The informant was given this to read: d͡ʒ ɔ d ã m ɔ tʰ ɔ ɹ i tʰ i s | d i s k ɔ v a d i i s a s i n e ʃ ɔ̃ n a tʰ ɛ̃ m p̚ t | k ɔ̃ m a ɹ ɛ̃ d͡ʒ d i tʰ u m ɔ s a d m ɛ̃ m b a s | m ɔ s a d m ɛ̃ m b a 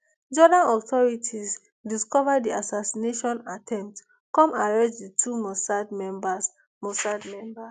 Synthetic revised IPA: d͡ʒ ɔ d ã n ɔ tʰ ɔ ɹ i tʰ i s | d i s k ɔ v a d i a s a s i n e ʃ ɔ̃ n a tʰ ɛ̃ m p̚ t | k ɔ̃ m a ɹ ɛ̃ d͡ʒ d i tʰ u m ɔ s a d m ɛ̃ m b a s | m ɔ s a d m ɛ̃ m b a